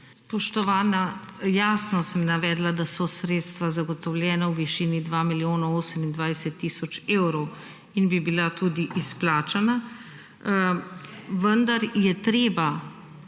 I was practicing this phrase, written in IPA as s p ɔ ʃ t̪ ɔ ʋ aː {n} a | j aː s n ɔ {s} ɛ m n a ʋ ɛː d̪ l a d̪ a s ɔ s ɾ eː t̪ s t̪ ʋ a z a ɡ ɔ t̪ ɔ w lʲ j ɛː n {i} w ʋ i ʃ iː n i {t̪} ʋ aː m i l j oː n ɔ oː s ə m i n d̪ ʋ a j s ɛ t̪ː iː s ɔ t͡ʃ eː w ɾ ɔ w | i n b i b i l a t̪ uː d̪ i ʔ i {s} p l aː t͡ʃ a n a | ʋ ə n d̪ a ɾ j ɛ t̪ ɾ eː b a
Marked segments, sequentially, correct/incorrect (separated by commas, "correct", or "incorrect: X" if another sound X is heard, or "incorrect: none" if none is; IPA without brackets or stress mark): correct, correct, incorrect: a, incorrect: d̪, correct